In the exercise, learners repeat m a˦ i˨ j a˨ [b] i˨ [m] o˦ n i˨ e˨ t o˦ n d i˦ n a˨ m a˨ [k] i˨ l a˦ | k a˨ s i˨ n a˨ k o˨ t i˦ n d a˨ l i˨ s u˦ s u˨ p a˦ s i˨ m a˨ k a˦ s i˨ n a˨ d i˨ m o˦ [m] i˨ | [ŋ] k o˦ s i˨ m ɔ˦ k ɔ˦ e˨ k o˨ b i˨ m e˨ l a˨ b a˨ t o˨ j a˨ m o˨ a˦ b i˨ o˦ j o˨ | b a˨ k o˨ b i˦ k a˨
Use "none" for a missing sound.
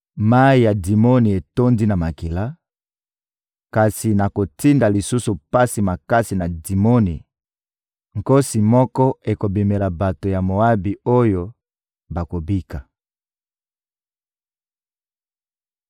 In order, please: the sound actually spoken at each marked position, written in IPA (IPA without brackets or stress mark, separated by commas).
d, m, k, n, ŋ